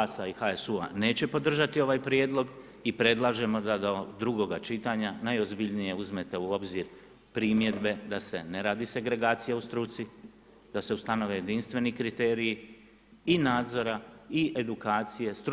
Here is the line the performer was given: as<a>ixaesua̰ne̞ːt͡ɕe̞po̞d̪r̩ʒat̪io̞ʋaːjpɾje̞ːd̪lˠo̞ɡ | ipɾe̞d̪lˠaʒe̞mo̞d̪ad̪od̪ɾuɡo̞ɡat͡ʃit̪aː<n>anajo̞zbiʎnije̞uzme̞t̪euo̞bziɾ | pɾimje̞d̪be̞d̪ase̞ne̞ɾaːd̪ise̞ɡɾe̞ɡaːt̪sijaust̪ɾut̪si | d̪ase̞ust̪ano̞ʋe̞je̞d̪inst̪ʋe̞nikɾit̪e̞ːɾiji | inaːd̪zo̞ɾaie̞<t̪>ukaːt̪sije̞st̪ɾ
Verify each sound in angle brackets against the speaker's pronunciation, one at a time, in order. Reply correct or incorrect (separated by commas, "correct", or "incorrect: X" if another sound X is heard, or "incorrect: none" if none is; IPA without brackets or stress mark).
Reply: correct, incorrect: ɲ, incorrect: d̪